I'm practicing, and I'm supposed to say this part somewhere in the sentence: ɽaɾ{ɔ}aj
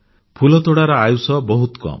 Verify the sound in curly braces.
correct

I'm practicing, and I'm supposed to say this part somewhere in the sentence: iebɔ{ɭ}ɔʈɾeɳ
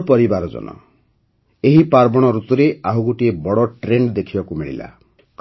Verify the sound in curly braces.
incorrect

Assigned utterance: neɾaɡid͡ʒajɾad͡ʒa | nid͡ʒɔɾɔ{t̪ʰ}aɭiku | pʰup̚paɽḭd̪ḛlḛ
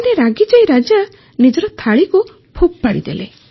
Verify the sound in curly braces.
correct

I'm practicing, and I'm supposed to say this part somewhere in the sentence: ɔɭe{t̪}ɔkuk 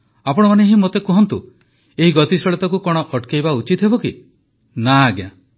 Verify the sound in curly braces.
correct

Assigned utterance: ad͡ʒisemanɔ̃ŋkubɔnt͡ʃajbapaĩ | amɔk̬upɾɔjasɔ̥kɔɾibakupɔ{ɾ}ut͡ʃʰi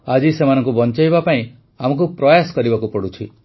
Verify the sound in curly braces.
incorrect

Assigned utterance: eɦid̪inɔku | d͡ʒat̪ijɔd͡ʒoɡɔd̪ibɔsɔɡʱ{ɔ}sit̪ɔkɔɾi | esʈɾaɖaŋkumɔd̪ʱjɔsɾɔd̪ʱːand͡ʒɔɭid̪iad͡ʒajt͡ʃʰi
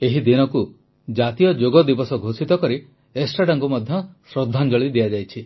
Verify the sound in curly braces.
incorrect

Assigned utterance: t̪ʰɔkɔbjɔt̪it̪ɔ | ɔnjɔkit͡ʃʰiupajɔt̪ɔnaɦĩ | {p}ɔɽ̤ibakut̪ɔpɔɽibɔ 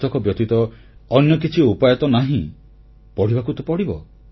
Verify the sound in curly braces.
correct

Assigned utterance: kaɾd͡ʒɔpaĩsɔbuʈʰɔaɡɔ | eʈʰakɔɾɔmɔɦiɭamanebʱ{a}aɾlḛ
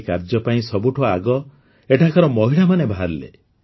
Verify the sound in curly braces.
correct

